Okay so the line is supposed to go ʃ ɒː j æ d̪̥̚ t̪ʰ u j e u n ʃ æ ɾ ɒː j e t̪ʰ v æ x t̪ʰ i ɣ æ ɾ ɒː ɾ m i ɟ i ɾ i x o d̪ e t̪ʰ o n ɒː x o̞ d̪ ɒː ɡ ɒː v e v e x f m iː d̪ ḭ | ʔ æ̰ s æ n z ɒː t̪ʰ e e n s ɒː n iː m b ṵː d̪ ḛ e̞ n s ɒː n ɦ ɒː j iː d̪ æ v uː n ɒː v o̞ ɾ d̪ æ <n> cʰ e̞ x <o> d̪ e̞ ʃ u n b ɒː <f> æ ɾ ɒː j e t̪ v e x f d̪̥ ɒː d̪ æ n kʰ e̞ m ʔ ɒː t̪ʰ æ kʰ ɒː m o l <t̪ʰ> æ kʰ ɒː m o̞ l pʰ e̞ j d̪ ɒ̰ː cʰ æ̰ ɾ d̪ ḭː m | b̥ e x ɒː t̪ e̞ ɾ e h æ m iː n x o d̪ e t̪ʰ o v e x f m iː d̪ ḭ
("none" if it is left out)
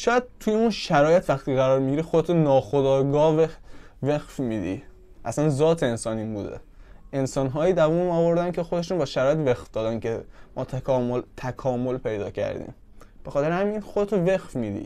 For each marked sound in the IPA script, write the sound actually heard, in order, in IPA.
n, o, ʃ, t̪ʰ

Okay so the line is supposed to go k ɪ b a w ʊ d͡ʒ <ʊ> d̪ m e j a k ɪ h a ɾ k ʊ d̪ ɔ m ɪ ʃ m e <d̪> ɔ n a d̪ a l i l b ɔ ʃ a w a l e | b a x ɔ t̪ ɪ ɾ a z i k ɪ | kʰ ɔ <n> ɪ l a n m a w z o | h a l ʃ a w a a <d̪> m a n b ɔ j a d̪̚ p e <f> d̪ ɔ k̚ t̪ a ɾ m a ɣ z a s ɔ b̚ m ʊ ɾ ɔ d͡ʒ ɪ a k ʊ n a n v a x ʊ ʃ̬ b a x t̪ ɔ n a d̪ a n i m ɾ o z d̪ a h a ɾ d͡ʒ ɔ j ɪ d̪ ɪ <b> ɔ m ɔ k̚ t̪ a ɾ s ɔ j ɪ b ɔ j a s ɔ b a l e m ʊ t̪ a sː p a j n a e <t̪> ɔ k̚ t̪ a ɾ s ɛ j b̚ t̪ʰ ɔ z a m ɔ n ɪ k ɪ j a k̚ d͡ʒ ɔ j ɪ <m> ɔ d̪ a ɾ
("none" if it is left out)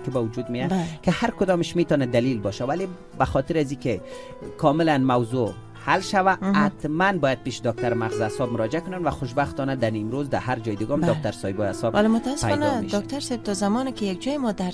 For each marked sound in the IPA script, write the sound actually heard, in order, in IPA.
u, t̪, m, t̪, ʃ, ɡ, d̪, m

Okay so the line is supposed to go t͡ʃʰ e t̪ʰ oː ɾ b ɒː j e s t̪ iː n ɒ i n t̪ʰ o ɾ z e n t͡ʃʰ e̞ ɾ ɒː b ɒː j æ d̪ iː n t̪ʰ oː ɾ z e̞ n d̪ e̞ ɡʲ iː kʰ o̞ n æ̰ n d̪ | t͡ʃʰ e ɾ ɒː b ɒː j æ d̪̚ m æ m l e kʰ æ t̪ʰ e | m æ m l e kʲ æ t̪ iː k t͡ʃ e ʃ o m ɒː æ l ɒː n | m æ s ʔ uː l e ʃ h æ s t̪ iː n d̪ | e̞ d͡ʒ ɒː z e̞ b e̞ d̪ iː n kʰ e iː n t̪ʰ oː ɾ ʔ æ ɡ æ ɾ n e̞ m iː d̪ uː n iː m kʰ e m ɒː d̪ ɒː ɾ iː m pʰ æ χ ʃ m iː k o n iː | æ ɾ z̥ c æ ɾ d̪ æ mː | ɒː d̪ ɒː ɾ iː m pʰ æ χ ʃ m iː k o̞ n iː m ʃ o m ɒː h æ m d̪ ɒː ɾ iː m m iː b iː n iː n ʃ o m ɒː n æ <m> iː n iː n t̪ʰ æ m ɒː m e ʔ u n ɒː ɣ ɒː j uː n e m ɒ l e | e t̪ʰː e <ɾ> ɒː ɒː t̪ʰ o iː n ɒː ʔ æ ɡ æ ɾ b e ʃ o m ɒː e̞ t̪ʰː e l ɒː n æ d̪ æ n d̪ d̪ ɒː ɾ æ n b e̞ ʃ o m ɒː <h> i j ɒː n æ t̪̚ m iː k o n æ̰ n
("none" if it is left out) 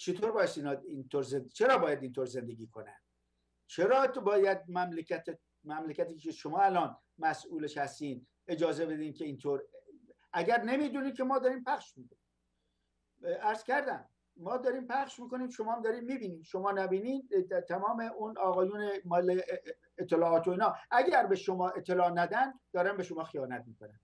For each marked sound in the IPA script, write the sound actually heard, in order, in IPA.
b, l, x

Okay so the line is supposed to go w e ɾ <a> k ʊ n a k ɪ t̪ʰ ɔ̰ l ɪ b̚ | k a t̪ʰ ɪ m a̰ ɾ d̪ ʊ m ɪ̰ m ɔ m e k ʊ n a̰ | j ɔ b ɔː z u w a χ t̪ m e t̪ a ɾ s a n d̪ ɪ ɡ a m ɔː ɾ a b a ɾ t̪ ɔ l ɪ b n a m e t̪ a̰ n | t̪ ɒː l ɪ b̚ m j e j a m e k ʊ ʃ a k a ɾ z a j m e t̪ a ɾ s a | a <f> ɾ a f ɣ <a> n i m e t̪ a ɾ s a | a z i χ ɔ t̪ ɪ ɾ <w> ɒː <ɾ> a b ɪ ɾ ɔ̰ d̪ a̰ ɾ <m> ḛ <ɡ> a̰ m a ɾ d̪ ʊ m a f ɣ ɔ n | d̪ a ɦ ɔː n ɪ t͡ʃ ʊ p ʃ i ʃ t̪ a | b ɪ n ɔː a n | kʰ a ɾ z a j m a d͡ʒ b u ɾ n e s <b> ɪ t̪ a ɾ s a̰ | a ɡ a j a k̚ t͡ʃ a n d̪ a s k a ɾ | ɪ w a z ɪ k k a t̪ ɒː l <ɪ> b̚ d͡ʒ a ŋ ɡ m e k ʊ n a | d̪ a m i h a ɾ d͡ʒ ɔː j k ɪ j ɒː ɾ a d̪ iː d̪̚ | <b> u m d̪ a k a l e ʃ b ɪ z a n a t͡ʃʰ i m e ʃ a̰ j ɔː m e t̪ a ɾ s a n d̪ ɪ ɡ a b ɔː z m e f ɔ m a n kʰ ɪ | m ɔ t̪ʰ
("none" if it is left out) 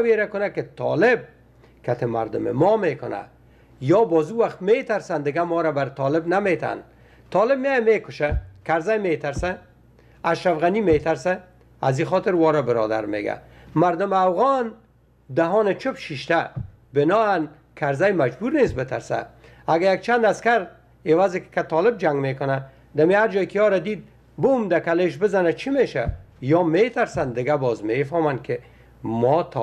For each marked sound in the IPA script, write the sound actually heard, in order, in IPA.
a, ʃ, a, w, ɾ, m, ɡ, b, ɪ, b

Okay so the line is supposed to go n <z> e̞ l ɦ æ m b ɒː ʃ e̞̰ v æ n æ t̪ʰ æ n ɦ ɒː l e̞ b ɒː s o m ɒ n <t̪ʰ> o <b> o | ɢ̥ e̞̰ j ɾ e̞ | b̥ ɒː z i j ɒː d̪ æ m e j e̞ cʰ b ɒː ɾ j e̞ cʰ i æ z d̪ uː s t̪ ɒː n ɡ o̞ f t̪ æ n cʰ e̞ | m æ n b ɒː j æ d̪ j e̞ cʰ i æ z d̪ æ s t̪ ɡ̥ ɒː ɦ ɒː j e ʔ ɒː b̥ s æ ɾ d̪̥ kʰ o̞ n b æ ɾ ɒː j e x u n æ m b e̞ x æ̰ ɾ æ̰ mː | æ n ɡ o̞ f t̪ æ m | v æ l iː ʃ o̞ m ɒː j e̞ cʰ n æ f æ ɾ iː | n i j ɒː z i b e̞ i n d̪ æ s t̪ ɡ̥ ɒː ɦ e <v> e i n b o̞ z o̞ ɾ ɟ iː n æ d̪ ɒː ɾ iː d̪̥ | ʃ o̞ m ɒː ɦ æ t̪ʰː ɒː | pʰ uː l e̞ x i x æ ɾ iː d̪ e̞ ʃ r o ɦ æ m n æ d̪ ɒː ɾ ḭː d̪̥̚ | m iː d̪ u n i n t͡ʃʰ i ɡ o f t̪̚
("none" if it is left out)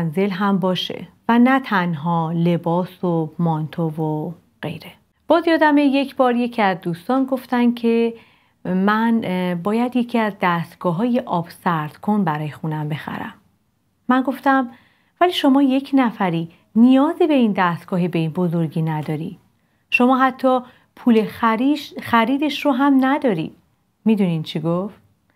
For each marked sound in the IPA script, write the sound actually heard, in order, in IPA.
z, t̪ʰ, v, b

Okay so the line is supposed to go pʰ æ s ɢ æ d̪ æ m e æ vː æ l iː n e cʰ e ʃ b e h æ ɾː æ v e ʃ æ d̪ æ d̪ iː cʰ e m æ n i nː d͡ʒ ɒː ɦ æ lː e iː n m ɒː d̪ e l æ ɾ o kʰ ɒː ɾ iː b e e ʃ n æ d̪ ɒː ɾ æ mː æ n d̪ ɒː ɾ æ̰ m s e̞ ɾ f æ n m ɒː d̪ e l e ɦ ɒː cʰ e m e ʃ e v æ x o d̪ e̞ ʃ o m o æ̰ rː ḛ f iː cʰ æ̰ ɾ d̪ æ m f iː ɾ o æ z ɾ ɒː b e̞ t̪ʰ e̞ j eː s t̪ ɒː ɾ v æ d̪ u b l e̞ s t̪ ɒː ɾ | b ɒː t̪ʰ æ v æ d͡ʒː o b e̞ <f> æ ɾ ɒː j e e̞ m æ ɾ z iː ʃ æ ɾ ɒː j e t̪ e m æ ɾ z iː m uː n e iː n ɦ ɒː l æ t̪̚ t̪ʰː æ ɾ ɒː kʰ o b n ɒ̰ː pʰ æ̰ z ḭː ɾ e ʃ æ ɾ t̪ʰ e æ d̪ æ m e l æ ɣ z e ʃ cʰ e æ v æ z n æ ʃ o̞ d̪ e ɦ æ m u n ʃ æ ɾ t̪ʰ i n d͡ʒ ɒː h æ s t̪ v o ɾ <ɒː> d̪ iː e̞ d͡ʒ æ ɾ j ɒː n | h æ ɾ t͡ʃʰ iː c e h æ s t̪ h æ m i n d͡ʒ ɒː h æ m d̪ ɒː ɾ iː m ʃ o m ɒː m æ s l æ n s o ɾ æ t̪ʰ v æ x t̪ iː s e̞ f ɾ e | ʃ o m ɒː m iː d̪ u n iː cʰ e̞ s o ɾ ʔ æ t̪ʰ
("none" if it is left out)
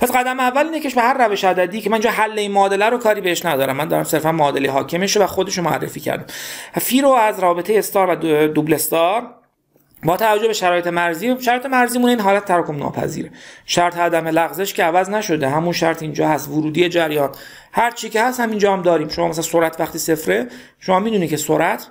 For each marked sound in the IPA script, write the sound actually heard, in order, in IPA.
ʃ, uː

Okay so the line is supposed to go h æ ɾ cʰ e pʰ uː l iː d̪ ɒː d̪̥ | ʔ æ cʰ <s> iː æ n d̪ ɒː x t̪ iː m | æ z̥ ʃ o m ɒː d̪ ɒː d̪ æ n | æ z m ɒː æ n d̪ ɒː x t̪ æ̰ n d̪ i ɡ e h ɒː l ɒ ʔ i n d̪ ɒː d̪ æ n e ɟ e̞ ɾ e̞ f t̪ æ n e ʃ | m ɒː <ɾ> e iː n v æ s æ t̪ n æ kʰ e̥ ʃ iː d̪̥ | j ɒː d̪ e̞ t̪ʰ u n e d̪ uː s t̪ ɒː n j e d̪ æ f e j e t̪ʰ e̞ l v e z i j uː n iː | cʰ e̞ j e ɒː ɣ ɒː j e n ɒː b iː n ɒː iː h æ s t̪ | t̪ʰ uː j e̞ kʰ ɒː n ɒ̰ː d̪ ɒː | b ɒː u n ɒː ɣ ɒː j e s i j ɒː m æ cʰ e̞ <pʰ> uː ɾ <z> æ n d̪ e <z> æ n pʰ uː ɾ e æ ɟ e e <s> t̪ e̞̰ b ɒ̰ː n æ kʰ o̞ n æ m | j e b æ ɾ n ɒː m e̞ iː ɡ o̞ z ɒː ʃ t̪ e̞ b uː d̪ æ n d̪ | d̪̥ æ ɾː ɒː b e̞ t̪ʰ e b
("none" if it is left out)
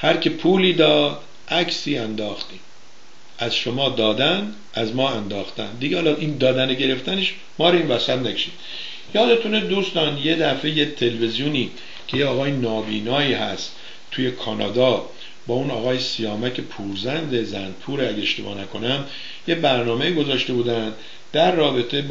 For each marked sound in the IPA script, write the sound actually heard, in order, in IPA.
s, ɾ, pʰ, z, z, ʃ

